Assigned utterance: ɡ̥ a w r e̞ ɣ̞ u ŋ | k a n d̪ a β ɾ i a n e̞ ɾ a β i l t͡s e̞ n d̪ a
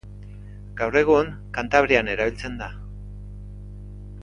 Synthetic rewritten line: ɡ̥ a w r e̞ ɣ̞ u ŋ | k a n t̪ a β ɾ i a n e̞ ɾ a β i l t͡s e̞ n d̪ a